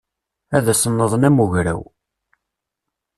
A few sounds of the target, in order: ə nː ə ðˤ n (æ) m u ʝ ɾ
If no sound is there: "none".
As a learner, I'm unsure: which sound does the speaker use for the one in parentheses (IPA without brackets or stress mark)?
æ